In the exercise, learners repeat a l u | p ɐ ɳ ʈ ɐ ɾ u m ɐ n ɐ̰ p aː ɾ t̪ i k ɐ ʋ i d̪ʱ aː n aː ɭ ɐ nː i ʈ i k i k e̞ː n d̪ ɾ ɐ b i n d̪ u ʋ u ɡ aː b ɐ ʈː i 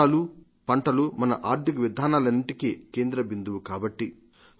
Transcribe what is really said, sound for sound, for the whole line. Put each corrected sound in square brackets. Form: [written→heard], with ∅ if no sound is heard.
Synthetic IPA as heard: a l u | p ɐ ɳ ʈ ɐ [ɾ→l] u m ɐ n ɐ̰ [p→ʔ] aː ɾ t̪ i k ɐ ʋ i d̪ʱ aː n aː [ɭ→l] ɐ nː i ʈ i k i k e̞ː n d̪ ɾ ɐ b i n d̪ u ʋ u [ɡ→k] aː b ɐ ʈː i

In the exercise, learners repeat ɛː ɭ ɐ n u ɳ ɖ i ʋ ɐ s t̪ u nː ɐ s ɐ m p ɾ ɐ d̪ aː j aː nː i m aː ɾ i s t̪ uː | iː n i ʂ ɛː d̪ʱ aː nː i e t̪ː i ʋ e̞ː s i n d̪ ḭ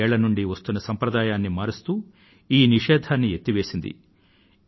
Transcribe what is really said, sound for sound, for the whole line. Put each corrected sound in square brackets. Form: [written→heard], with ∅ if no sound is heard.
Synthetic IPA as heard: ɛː ɭ ɐ n u ɳ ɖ i ʋ ɐ s t̪ u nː ɐ s ɐ m p ɾ ɐ d̪ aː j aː nː i m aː ɾ i s t̪ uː | iː n i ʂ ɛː d̪ʱ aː nː i e t̪ː i ʋ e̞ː s i n d̪ ḭ

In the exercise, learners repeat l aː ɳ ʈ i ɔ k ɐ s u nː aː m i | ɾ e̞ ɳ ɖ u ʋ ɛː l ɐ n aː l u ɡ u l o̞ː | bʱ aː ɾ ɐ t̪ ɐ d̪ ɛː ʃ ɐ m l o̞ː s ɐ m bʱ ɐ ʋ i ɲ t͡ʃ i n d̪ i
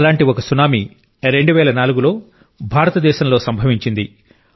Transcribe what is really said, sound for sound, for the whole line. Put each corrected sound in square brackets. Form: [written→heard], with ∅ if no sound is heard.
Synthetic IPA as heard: l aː ɳ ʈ i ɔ k ɐ s u [nː→n] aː m i | ɾ e̞ ɳ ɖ u ʋ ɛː l ɐ n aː l u ɡ u l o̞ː | bʱ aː ɾ ɐ t̪ ɐ d̪ ɛː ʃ ɐ m l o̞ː s ɐ m bʱ ɐ ʋ i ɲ t͡ʃ i n d̪ i

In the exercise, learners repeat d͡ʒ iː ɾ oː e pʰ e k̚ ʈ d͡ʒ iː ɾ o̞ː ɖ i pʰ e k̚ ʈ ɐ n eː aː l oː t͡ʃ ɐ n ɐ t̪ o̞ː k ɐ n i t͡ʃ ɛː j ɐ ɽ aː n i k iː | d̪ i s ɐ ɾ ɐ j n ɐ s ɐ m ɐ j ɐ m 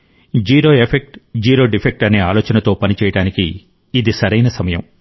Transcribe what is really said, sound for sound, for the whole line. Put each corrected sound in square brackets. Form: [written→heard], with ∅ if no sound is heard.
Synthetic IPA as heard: d͡ʒ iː ɾ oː e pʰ e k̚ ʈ d͡ʒ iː ɾ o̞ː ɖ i pʰ e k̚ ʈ ɐ n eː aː l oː t͡ʃ ɐ n ɐ t̪ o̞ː [k→p] ɐ n i t͡ʃ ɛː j ɐ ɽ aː n i k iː | d̪ i s ɐ ɾ ɐ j n ɐ s ɐ m ɐ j ɐ m

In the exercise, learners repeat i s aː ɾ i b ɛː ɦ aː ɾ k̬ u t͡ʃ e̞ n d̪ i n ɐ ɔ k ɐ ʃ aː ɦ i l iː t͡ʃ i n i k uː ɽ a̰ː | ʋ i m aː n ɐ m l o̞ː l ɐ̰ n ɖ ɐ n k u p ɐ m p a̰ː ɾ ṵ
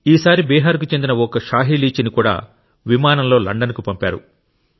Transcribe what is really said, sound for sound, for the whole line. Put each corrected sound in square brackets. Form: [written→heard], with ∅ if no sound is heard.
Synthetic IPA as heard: [i→iː] s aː ɾ i b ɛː ɦ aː ɾ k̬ u t͡ʃ e̞ n d̪ i n ɐ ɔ k ɐ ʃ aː ɦ i l iː t͡ʃ i n i k uː ɽ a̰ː | ʋ i m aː n ɐ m l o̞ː l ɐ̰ [n→ɳ] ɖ ɐ n k u p ɐ m p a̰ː ɾ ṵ

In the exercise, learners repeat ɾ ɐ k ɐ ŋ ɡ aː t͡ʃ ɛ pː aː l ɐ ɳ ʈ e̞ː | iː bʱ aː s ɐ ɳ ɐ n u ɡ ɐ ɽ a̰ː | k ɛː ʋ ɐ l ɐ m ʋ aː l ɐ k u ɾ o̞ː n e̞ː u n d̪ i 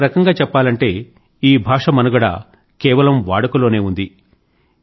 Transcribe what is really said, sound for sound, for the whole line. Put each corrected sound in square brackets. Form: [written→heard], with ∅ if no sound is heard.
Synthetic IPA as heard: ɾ ɐ k ɐ ŋ ɡ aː t͡ʃ ɛ pː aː l ɐ ɳ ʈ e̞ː | iː bʱ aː [s→ʂ] ɐ [ɳ→m] ɐ n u ɡ ɐ ɽ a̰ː | k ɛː ʋ ɐ l ɐ m ʋ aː [l→ɽ] ɐ k u [ɾ→l] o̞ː n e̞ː u n d̪ i

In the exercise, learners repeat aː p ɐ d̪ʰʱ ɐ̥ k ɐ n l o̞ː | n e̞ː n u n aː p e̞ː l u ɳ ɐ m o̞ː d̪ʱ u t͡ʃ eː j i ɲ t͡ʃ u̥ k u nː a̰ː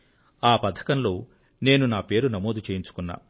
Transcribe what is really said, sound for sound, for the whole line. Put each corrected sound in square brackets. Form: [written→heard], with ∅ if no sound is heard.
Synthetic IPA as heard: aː p ɐ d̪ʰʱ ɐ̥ k ɐ n l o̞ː | n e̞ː n u n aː p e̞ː [l→ɾ] u [ɳ→n] ɐ m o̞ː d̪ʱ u t͡ʃ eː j i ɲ t͡ʃ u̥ k u nː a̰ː

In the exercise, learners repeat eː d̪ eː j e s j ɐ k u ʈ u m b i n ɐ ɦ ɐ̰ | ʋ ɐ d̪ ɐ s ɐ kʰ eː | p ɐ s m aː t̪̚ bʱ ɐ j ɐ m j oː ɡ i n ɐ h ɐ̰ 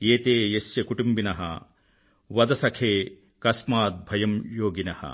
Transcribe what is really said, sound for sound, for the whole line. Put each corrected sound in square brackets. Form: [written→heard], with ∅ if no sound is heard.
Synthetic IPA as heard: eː [d̪→t̪] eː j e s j ɐ k u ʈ u m b i n ɐ ɦ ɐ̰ | ʋ ɐ d̪ ɐ s ɐ kʰ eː | [p→k] ɐ s m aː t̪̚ bʱ ɐ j ɐ m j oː ɡ i n ɐ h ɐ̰

